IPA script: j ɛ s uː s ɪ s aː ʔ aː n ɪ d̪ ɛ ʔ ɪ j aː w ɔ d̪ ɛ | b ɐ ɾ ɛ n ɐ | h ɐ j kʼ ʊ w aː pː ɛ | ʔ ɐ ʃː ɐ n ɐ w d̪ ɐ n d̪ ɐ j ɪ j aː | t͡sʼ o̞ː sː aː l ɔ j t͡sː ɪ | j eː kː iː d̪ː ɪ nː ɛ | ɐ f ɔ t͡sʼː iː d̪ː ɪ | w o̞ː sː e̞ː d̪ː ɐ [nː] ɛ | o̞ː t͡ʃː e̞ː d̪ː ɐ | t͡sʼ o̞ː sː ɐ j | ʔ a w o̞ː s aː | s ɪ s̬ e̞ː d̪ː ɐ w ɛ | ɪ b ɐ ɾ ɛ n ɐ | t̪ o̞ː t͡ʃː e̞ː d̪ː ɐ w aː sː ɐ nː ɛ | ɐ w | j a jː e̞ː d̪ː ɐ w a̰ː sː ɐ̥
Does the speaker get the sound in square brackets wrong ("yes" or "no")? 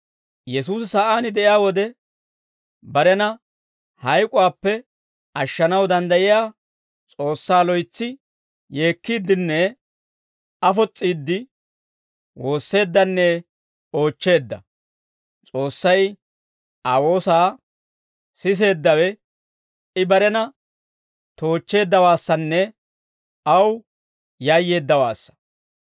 no